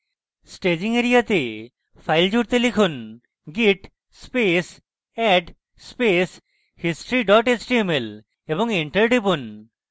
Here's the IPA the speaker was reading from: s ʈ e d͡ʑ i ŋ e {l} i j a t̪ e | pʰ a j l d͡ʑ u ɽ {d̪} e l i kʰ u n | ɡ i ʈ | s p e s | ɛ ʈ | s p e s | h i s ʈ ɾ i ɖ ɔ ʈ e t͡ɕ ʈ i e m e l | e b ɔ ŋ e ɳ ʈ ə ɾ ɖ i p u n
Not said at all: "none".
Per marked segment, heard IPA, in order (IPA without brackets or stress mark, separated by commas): ɾ, t̪